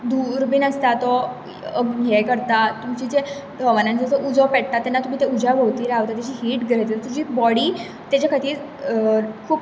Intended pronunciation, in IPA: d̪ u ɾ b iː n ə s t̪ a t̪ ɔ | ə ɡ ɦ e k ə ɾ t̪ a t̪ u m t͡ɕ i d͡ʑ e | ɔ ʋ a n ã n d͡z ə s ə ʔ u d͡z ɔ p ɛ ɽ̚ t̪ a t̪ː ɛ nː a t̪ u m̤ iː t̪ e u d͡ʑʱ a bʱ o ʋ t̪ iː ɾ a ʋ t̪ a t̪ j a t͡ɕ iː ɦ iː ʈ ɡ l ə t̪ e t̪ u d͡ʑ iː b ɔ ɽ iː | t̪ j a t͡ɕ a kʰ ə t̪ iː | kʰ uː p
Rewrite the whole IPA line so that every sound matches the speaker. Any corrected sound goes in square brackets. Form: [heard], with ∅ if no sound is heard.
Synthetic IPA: d̪ u ɾ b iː n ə s t̪ a t̪ ɔ | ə ɡ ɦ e k ə ɾ t̪ a t̪ u m t͡ɕ i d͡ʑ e | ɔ ʋ a n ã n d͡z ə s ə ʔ u d͡z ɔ p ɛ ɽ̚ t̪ a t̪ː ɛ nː a t̪ u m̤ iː t̪ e u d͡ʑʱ a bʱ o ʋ t̪ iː ɾ a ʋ t̪ a t̪ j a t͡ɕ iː ɦ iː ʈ ɡ [ɾ] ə t̪ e t̪ u d͡ʑ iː b ɔ ɽ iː | t̪ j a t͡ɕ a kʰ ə t̪ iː | kʰ uː p